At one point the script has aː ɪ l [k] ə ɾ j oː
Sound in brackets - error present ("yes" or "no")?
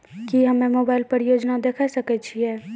yes